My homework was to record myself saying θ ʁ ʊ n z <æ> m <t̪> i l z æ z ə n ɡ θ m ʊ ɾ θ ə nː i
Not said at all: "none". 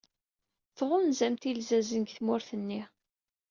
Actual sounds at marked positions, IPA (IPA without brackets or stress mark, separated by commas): æ, t̪